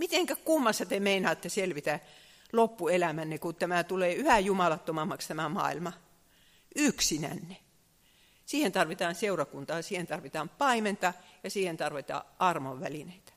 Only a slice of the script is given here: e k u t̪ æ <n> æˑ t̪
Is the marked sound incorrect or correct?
incorrect